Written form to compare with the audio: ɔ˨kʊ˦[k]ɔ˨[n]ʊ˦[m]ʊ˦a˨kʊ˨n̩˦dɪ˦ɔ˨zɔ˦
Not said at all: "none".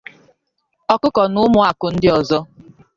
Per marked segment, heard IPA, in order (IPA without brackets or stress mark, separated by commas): k, n, m